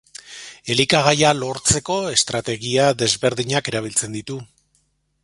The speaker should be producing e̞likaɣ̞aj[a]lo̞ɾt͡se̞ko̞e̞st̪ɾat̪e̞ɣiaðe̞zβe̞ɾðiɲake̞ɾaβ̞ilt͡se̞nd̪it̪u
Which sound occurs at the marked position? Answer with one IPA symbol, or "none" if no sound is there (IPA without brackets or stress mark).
a